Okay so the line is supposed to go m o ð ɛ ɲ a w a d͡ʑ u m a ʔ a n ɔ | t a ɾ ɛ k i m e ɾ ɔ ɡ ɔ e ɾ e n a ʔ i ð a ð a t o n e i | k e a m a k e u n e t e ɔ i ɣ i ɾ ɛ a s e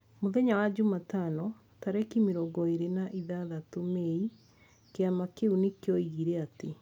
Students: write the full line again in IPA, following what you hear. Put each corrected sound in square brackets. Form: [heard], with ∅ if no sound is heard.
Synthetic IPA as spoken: m o ð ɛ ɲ a w a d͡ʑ u m a [t] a n ɔ | t a ɾ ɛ k i m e ɾ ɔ ɡ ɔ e ɾ e n a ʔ i ð a ð a t o [m] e i | k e a m a k e u n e [k] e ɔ i ɣ i ɾ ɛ a [t] e